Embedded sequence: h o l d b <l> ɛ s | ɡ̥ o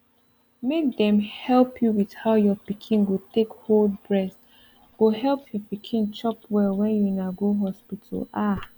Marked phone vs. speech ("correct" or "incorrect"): incorrect